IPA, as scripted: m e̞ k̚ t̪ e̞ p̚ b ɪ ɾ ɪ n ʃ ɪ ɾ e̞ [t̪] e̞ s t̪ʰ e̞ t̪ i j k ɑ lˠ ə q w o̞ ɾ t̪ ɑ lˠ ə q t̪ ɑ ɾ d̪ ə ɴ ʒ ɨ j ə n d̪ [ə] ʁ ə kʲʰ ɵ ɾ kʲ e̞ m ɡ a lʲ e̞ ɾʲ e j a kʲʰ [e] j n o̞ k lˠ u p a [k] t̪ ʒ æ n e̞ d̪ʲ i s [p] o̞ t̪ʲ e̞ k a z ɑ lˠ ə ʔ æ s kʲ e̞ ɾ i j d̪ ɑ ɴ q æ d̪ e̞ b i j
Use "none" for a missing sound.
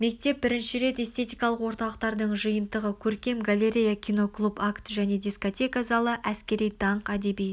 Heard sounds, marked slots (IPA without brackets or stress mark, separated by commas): t̪, ə, i, k, k